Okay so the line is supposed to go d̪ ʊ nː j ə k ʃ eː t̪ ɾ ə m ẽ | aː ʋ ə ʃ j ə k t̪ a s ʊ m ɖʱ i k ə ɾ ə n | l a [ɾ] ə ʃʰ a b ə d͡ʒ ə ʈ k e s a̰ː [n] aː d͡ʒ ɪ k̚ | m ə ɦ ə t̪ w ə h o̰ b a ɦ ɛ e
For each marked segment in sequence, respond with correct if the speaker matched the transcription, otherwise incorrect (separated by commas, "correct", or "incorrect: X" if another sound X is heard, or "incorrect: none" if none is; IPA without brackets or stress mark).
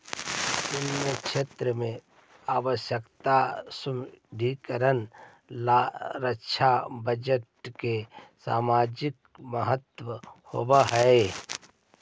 correct, incorrect: m